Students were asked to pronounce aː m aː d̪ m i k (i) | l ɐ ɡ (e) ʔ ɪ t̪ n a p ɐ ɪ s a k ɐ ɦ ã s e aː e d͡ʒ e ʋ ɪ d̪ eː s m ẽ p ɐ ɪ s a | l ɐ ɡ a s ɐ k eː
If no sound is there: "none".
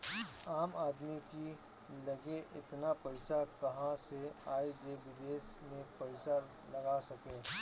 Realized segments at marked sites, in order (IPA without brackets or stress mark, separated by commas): i, e